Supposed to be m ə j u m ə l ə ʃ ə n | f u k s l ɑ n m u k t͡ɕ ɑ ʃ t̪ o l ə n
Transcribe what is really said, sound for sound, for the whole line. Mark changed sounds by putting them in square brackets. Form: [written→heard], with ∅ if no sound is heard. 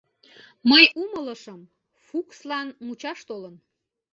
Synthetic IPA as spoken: m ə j u m ə l ə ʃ ə [n→m] | f u k s l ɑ n m u [k→∅] t͡ɕ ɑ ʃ t̪ o l ə n